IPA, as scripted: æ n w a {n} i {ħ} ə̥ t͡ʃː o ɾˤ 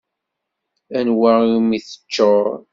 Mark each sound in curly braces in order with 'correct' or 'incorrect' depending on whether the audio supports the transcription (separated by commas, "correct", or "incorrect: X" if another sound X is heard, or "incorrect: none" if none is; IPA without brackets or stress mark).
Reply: incorrect: m, incorrect: θ